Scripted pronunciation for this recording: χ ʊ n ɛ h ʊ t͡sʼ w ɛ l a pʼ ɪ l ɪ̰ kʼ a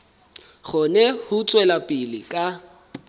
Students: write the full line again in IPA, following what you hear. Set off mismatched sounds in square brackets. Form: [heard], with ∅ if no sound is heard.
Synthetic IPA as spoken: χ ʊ n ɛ h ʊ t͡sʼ w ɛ l a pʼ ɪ l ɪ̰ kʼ a